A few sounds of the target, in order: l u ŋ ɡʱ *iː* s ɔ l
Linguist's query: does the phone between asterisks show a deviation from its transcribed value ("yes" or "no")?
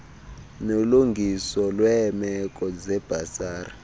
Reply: yes